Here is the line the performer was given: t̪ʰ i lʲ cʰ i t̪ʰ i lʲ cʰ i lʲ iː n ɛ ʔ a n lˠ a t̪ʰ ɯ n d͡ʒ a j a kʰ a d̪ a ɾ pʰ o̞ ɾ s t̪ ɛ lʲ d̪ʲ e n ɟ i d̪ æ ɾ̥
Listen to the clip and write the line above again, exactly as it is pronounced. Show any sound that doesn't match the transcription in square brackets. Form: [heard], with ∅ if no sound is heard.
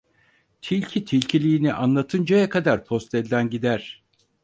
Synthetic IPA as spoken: t̪ʰ i lʲ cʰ i t̪ʰ i lʲ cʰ i lʲ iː n [i] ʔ a n lˠ a t̪ʰ ɯ n d͡ʒ a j a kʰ a d̪ a ɾ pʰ o̞ [∅] s t̪ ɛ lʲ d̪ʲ [æ] n ɟ i d̪ æ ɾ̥